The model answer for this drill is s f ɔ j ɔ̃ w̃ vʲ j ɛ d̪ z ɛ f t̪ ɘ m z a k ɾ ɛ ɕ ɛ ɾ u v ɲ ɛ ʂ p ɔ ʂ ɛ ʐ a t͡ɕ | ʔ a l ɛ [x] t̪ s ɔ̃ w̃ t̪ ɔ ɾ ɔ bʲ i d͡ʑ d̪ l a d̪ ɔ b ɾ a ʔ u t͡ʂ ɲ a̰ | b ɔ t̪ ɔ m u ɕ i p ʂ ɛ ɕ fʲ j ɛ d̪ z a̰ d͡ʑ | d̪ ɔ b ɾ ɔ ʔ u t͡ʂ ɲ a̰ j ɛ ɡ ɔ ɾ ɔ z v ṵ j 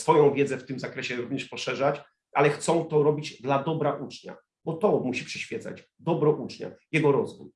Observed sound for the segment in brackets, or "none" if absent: x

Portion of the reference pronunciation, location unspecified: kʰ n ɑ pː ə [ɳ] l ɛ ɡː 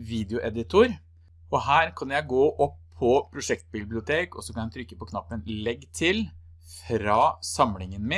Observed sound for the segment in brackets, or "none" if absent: n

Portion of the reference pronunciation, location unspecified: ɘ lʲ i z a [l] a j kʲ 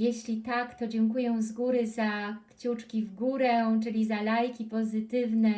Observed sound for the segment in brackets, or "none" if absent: l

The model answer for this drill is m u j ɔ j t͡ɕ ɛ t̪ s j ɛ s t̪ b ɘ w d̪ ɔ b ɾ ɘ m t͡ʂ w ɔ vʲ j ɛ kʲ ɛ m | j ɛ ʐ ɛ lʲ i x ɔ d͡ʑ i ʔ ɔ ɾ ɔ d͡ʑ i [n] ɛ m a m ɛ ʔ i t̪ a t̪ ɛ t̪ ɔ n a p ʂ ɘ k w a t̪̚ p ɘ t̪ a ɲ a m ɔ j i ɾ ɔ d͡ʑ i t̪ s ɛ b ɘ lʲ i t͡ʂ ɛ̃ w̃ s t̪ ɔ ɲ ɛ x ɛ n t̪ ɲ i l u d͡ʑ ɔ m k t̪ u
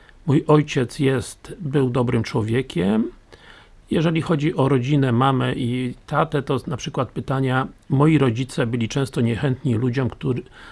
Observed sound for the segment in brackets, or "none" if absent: n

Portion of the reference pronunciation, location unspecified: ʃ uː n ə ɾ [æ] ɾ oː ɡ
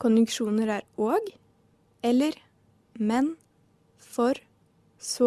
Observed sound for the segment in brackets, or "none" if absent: æː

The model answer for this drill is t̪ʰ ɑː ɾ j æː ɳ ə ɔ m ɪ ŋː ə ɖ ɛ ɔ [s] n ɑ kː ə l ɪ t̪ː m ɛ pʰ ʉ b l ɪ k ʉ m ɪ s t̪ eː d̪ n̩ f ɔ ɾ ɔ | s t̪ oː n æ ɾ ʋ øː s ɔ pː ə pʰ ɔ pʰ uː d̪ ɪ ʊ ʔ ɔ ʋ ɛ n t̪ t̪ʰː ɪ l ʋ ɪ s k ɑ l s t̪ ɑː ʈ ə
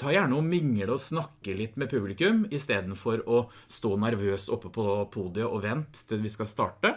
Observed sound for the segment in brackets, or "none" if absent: s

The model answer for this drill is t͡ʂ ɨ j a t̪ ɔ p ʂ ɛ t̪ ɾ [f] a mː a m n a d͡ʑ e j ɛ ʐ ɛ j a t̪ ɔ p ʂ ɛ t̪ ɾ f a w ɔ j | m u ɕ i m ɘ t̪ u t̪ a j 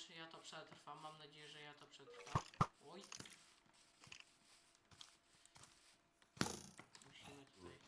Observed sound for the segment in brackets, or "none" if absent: f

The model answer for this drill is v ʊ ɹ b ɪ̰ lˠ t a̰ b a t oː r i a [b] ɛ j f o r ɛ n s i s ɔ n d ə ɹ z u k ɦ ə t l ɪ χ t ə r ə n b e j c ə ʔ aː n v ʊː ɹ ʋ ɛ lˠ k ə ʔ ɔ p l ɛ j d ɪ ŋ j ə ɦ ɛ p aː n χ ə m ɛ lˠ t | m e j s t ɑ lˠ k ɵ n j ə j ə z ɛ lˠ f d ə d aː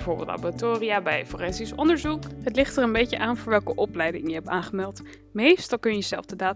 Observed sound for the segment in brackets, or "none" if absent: b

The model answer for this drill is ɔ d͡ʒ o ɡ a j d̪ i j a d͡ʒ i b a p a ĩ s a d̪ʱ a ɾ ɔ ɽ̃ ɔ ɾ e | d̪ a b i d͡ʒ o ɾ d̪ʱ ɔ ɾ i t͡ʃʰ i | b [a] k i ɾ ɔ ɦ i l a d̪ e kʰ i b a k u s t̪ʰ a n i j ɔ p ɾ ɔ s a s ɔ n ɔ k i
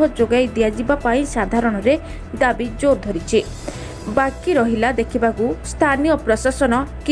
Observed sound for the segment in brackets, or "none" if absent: a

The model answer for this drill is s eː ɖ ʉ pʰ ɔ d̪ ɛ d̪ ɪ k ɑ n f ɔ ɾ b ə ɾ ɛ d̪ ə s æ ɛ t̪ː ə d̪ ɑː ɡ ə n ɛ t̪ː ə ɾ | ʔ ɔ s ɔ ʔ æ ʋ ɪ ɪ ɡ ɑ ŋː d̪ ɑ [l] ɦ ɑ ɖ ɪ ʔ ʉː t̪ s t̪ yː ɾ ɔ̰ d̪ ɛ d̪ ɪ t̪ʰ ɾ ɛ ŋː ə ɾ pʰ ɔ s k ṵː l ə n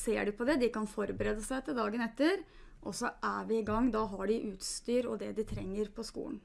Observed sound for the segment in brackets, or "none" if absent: none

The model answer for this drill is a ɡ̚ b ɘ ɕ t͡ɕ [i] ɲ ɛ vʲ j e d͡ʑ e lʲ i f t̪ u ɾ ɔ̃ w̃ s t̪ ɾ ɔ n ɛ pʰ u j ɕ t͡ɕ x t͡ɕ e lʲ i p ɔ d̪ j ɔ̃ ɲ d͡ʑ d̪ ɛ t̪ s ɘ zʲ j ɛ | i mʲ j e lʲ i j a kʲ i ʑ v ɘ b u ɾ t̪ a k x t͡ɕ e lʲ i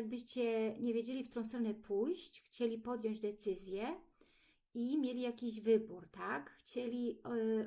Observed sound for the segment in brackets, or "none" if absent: ɛ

